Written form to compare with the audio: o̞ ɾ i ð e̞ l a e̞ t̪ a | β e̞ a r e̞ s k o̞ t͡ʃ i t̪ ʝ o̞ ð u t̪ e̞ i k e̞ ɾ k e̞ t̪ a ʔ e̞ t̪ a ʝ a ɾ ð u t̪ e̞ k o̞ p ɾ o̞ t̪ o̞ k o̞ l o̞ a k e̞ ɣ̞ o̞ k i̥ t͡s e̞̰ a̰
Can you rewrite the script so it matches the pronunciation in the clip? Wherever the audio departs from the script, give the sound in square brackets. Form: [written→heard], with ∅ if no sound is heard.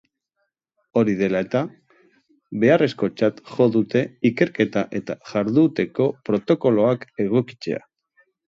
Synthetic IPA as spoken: o̞ ɾ i ð e̞ l a e̞ t̪ a | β e̞ a r e̞ s k o̞ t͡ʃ [i→a] t̪ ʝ o̞ ð u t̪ e̞ i k e̞ ɾ k e̞ t̪ a ʔ e̞ t̪ a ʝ a ɾ ð u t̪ e̞ k o̞ p ɾ o̞ t̪ o̞ k o̞ l o̞ a k e̞ ɣ̞ o̞ k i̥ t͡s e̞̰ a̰